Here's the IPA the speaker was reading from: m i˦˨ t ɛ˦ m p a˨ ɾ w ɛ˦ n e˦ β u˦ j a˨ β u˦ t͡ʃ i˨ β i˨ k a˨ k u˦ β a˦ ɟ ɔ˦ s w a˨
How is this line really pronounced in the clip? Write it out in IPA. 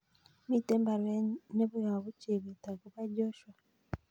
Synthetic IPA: m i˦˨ t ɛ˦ m b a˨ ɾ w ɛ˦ n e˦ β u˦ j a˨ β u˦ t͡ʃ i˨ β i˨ t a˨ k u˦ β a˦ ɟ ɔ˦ ʃ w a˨